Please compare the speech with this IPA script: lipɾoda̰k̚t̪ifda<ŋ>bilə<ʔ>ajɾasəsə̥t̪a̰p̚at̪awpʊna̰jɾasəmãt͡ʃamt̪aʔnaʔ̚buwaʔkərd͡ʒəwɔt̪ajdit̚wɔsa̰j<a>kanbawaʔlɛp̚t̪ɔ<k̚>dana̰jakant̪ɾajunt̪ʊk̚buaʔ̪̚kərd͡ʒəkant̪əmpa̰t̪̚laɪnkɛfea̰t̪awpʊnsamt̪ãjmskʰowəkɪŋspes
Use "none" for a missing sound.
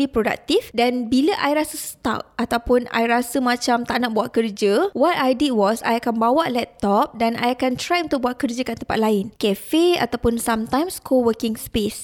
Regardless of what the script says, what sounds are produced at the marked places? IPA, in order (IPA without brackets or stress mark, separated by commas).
n, ʔ, a, p̚